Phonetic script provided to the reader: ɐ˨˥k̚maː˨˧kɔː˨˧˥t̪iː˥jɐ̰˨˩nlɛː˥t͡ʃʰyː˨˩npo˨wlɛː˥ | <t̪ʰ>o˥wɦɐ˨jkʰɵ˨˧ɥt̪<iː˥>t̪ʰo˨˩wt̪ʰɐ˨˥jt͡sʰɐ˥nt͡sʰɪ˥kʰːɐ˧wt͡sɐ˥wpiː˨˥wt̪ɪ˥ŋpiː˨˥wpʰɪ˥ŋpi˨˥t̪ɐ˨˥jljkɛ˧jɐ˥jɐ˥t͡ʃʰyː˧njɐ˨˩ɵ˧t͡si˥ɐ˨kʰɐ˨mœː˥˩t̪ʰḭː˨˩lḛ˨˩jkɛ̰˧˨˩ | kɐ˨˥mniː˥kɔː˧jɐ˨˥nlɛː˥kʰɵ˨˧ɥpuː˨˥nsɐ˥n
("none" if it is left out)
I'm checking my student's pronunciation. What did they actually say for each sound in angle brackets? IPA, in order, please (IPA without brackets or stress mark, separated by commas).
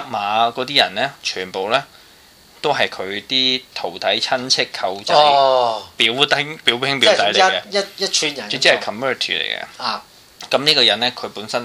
t̪, iː˥